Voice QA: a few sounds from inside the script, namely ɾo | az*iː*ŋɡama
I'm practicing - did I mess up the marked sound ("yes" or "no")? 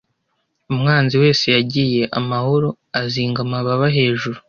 no